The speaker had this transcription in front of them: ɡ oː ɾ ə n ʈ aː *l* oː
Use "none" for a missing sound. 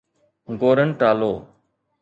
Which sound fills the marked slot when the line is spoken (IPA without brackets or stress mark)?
l